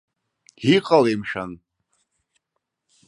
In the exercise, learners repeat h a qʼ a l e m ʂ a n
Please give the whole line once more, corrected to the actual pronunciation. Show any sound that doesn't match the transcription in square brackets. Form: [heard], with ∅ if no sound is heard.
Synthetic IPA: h [i] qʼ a l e m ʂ a n